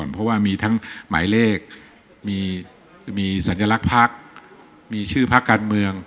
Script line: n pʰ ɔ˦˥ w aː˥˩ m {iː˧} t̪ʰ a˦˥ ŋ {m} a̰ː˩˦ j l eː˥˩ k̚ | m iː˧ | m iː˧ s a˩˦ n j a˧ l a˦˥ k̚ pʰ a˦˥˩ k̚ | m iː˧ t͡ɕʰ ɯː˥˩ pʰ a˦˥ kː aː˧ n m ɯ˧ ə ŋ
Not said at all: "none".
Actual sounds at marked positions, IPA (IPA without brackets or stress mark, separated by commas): iː˧, m